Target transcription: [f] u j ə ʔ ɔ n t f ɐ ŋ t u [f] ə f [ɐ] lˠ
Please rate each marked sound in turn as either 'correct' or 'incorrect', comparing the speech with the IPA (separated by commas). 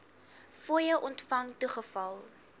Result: correct, incorrect, correct